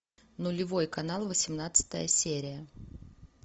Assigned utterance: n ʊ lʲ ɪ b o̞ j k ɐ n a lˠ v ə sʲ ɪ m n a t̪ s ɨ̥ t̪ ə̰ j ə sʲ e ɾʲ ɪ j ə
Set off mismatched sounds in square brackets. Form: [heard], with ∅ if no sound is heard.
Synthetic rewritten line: n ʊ lʲ ɪ [v] o̞ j k ɐ n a lˠ v ə sʲ ɪ m n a t̪ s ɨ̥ t̪ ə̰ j ə sʲ e ɾʲ ɪ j ə